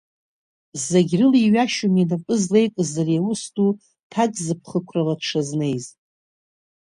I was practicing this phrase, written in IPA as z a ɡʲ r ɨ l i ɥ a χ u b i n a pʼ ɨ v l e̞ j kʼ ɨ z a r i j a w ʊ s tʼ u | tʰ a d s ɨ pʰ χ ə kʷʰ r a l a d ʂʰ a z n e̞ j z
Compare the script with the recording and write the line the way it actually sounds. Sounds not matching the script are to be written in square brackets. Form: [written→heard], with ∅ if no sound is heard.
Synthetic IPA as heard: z a ɡʲ r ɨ l i ɥ a [χ→ʃ] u [b→m] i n a pʼ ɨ [v→z] l e̞ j kʼ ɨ z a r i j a w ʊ s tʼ u | tʰ a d [s→z] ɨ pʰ χ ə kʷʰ r a l a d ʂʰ a z n e̞ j z